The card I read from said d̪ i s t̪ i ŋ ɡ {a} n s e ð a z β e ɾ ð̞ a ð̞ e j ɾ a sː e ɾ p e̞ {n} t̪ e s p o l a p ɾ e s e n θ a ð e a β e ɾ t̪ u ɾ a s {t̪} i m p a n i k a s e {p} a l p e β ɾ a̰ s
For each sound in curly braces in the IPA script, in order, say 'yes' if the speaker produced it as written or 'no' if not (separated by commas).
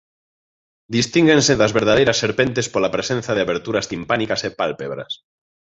no, yes, yes, yes